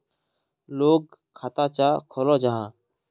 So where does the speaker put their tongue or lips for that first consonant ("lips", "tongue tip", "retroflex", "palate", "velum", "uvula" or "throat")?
tongue tip